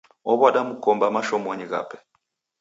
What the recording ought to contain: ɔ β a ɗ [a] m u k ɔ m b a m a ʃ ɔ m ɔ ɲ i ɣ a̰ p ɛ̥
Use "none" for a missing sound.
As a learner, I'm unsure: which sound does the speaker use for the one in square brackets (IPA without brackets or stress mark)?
a